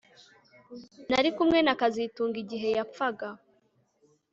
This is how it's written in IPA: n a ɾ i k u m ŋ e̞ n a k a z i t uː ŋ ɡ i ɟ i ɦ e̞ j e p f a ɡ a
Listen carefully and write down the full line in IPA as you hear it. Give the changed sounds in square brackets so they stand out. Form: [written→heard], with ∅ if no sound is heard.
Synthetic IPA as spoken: n a ɾ i k u m ŋ e̞ n a k a z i t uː ŋ ɡ i ɟ i ɦ e̞ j [e→a] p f a ɡ a